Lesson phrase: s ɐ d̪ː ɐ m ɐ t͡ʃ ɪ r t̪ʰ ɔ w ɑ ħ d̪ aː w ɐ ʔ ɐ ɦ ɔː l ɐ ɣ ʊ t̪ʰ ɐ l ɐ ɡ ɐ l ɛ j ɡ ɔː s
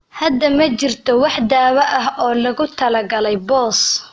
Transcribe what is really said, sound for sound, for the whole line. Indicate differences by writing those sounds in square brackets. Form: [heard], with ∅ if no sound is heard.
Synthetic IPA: [h] ɐ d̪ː ɐ m ɐ t͡ʃ ɪ r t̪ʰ ɔ w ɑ ħ d̪ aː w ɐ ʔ ɐ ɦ ɔː l ɐ ɣ ʊ t̪ʰ ɐ l ɐ ɡ ɐ l ɛ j [b] ɔː s